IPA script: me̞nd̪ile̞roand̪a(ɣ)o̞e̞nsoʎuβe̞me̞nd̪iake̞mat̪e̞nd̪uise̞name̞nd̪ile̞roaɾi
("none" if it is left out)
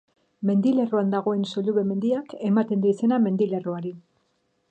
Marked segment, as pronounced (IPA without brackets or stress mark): ɣ